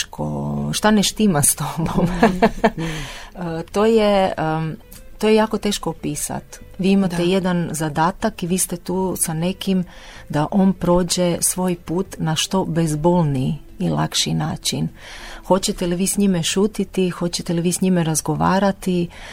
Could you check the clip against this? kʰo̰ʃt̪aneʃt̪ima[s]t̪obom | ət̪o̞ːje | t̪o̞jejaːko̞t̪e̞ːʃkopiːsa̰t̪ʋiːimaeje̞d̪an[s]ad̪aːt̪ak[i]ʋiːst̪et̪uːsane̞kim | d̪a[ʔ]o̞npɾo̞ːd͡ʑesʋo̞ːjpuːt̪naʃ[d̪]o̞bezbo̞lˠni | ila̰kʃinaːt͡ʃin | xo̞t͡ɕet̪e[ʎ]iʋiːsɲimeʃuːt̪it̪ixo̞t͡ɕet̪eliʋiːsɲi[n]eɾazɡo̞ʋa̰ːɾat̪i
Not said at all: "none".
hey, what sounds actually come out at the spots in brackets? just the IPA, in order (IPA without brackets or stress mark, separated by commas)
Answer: s, z, i, ʔ, t̪, l, m